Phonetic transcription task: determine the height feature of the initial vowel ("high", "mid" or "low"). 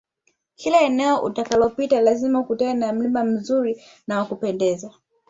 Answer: high